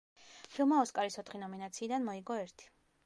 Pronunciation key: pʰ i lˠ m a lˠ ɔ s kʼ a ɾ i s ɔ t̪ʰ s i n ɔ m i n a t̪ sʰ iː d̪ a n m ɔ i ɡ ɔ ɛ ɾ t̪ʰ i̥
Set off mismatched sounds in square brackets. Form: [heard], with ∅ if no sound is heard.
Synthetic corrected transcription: pʰ i lˠ m a [∅] ɔ s kʼ a ɾ i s ɔ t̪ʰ [χ] i n ɔ m i n a t̪ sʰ iː d̪ a n m ɔ i ɡ ɔ ɛ ɾ t̪ʰ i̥